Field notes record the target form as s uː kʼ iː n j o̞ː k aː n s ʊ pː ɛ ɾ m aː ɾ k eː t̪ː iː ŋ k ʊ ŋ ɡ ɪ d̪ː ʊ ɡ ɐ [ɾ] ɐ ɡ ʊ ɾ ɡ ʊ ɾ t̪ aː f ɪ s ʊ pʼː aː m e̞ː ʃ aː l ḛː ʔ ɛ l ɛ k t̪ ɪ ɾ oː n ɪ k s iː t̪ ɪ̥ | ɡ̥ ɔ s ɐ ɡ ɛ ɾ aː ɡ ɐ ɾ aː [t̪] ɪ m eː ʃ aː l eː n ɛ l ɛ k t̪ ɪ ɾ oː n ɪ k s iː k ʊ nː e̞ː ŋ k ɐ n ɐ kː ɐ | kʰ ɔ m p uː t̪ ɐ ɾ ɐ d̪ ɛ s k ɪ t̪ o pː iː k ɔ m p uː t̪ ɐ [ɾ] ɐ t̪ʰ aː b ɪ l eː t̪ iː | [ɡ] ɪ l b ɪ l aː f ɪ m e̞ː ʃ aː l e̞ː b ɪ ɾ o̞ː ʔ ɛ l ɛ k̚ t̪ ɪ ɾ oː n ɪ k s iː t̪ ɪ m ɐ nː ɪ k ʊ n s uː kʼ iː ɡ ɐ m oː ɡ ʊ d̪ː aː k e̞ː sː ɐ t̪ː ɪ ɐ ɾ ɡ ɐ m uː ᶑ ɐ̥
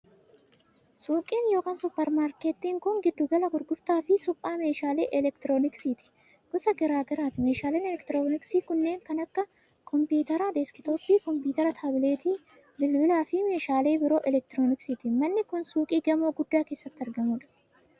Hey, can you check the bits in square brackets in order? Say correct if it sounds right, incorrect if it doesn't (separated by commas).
incorrect, correct, correct, incorrect